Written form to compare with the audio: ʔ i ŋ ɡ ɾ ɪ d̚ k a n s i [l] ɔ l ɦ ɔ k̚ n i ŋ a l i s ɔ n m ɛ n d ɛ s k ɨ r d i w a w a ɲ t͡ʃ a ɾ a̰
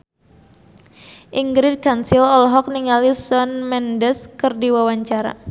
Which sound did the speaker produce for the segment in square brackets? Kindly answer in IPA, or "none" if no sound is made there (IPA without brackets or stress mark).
l